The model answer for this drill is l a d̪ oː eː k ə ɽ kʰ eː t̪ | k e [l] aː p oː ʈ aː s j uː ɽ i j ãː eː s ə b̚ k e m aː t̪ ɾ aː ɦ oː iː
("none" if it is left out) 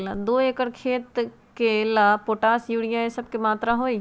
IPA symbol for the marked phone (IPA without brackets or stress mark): l